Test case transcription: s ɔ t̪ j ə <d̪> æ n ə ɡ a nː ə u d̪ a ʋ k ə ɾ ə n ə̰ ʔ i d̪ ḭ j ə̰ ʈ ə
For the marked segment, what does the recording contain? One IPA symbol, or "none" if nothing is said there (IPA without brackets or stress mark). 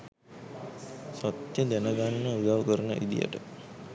d̪